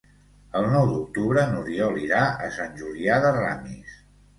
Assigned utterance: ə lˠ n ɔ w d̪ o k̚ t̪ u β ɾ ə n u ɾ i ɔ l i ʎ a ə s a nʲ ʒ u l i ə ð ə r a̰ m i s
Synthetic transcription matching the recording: ə lˠ n ɔ w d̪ u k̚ t̪ u β ɾ ə n u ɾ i ɔ l i ɾ a ə s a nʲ ʒ u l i a ð ə r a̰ m i s